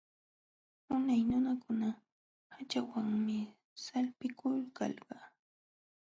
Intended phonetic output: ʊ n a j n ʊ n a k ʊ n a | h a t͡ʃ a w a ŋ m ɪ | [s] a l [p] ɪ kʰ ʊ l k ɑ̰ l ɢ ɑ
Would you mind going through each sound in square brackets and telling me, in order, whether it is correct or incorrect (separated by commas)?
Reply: correct, correct